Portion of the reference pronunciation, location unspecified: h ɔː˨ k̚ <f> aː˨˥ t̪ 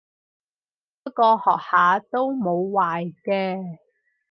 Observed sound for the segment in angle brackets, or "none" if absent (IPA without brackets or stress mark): h